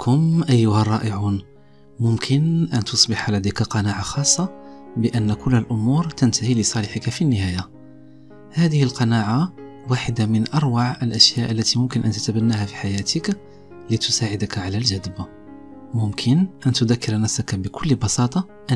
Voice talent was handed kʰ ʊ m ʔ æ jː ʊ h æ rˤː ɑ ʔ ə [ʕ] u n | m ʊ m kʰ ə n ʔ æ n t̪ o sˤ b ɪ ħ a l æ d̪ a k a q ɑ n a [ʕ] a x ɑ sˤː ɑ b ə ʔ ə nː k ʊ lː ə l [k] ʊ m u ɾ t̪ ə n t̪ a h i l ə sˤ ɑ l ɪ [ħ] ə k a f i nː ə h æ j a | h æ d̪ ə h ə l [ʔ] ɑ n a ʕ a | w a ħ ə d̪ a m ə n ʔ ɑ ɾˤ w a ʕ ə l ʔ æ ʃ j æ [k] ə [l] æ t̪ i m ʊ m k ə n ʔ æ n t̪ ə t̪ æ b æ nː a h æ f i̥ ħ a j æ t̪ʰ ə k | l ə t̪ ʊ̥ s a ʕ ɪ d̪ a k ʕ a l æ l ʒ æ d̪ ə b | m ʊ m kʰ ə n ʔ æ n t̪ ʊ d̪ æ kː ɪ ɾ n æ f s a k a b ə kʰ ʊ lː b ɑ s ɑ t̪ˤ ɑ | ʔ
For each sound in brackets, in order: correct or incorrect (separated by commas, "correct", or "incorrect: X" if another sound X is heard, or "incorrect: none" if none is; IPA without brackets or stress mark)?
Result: correct, correct, incorrect: ʔ, correct, incorrect: q, incorrect: ʔ, incorrect: lː